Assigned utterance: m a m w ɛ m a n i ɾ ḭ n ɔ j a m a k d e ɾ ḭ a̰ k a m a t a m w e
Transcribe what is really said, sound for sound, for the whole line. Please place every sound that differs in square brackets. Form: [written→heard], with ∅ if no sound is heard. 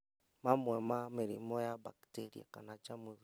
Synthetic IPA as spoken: m a m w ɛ m a [n→m] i ɾ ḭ [n→m] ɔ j a [m→b] a k [d→t] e ɾ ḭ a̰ k a [m→n] a [t→t͡ʃ] a m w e